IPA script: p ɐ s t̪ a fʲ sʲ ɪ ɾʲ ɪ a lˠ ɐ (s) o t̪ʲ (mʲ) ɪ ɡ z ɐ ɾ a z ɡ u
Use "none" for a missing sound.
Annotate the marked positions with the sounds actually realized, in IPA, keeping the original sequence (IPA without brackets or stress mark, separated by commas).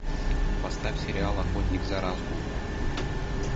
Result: x, nʲ